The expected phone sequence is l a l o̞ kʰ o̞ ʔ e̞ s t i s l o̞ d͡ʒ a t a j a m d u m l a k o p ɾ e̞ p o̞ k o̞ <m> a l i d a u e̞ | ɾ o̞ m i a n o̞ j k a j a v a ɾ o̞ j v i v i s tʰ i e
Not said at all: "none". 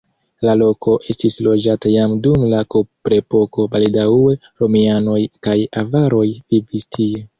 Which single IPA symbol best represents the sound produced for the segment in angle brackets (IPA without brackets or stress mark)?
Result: b